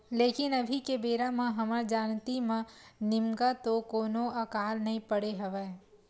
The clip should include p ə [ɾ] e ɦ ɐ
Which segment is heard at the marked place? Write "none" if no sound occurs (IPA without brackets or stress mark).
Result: ɽ